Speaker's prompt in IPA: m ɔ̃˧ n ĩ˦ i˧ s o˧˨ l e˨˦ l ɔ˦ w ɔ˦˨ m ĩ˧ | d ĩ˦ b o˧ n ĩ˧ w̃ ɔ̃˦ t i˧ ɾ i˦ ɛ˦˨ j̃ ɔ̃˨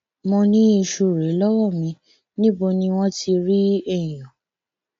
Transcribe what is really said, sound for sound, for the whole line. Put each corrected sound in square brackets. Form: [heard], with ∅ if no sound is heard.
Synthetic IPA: m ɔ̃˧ n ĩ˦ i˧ [ʃ] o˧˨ [ɾ] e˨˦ l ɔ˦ w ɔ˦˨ m ĩ˧ | [n] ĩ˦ b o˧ n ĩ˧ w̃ ɔ̃˦ t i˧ ɾ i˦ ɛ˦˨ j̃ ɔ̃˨